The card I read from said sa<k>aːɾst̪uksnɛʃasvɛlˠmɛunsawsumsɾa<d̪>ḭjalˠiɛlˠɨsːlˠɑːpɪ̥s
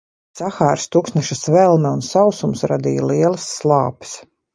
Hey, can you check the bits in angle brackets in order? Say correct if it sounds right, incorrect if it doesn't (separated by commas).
incorrect, correct